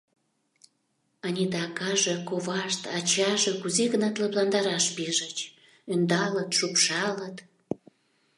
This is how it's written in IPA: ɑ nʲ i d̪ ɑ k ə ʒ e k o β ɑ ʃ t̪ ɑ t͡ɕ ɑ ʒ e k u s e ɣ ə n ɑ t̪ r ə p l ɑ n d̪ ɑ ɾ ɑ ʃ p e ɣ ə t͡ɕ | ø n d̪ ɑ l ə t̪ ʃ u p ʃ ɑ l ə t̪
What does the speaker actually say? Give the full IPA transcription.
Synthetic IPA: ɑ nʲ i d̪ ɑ k ɑ ʒ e k o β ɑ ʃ t̪ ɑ t͡ɕ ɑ ʒ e k u z e ɣ ə n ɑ t̪ l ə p l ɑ n d̪ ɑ ɾ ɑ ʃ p e ʒ ə t͡ɕ | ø n d̪ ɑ l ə t̪ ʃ u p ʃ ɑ l ə t̪